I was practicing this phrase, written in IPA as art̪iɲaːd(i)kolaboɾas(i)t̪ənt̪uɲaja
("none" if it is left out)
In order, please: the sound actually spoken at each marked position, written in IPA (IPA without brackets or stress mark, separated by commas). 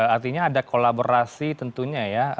a, i